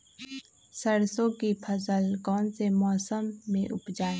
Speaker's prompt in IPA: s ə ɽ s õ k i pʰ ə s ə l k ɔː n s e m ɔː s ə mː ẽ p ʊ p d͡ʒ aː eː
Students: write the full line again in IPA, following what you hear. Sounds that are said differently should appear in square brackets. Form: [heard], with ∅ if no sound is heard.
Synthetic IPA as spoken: s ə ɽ s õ k i pʰ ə s ə l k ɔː n s e m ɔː s ə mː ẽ [ʔ] ʊ p d͡ʒ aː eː